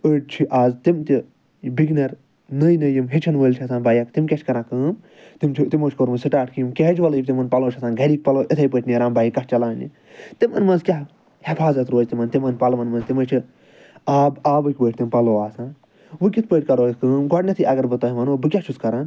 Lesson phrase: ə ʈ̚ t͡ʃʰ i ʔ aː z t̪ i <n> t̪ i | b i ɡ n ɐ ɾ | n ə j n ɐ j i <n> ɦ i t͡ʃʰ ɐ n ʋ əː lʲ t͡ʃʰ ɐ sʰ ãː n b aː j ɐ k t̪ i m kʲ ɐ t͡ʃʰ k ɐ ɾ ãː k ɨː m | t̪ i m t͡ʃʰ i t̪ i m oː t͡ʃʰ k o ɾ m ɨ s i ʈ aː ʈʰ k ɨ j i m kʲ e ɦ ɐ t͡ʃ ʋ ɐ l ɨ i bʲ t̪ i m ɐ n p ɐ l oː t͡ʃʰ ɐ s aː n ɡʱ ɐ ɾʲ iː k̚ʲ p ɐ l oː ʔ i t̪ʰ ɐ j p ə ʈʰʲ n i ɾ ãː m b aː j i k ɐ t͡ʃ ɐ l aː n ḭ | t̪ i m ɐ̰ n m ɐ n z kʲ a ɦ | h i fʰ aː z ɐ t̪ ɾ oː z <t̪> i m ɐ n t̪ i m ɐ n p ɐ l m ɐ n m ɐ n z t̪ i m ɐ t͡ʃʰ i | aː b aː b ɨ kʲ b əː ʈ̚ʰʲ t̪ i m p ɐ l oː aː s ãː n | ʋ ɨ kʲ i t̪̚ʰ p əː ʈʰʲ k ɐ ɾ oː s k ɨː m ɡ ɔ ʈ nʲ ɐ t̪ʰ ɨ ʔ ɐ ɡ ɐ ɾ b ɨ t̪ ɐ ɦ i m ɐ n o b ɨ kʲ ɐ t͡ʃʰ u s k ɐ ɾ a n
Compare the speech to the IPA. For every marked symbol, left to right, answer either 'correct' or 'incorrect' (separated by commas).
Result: incorrect, incorrect, correct